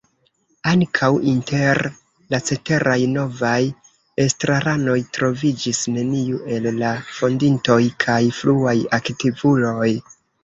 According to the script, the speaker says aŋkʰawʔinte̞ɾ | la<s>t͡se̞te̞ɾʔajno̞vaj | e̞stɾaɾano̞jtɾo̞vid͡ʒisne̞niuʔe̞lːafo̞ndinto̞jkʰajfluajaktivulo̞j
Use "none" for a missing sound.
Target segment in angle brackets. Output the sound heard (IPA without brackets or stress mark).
none